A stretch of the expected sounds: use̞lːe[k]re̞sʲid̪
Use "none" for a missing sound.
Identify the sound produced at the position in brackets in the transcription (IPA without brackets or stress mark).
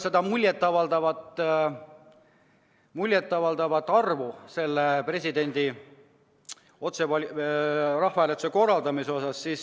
p